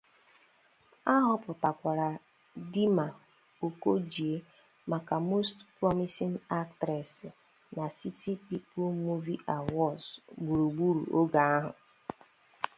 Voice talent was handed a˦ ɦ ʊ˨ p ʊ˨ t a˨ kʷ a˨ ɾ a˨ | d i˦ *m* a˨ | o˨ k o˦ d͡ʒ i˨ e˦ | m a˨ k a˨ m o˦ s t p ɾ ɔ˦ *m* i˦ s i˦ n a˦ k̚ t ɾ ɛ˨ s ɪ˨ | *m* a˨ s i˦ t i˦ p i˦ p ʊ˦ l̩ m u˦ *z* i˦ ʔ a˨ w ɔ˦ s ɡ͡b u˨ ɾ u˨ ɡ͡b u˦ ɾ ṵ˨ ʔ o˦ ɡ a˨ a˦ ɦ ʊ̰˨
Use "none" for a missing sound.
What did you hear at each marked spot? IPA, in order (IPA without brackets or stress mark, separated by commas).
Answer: m, m, n, v